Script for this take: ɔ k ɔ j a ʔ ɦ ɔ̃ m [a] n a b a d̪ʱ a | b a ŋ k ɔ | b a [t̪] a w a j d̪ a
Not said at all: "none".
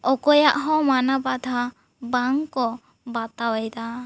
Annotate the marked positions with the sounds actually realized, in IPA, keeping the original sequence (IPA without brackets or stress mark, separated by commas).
a, t̪